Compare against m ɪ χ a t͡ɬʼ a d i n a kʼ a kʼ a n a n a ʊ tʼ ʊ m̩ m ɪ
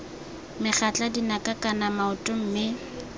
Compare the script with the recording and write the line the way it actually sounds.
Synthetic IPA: m ɪ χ a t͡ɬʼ a d i n a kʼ a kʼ a n a m a ʊ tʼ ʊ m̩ m ɪ